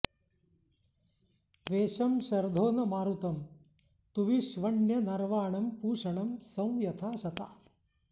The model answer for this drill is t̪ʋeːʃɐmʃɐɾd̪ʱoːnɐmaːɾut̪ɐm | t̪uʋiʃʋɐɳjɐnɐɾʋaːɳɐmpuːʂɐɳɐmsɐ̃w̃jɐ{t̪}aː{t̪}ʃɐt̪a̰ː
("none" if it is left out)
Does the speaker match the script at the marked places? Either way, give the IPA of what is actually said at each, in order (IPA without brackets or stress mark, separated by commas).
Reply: t̪ʰ, none